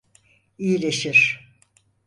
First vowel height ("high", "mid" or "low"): high